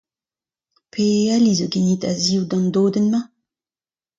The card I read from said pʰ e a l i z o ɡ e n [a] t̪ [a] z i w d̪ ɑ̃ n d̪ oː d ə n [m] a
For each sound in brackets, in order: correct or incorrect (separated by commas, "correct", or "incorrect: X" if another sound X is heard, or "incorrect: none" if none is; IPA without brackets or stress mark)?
incorrect: i, correct, correct